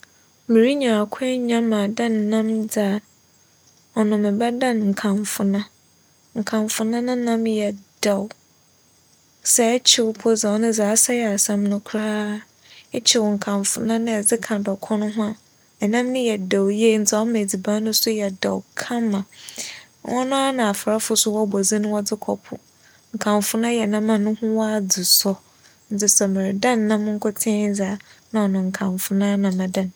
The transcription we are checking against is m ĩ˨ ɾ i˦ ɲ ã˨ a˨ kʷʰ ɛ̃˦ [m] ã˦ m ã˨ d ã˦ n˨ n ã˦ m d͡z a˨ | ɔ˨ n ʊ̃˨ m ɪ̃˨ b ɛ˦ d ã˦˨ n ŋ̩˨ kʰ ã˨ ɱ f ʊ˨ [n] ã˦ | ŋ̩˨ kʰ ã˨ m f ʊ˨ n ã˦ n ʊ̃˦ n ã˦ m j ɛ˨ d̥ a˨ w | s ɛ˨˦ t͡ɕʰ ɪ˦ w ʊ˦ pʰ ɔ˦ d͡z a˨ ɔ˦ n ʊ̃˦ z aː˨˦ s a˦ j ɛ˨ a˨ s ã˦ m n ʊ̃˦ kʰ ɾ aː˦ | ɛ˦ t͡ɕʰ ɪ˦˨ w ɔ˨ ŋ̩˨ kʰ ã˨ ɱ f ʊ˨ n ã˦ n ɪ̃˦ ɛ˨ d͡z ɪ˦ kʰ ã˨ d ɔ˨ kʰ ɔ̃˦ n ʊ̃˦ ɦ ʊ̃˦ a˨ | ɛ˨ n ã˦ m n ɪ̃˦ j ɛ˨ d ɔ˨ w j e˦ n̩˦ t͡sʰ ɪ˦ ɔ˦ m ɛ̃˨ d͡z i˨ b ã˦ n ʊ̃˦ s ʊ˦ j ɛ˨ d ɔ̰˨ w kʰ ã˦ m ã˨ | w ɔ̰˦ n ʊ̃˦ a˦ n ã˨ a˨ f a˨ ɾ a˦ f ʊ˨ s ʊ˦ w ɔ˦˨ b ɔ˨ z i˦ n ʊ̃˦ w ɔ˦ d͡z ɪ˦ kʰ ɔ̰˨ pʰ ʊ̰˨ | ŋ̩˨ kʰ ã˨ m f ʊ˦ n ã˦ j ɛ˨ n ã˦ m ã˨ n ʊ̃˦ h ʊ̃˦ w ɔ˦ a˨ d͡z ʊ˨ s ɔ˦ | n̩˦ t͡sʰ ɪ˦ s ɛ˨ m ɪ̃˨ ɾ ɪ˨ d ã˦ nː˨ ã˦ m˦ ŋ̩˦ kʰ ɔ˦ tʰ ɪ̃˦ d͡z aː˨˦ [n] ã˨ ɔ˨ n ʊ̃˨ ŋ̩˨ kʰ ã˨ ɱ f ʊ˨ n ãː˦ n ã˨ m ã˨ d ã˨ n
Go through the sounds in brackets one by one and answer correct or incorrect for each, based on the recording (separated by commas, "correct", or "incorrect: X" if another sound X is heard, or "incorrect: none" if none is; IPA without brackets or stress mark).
incorrect: ɲ, correct, correct